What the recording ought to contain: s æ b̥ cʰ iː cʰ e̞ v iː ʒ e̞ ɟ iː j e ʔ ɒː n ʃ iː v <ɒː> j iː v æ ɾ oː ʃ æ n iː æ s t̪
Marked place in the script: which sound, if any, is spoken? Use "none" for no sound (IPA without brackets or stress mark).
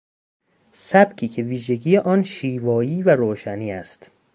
ɒː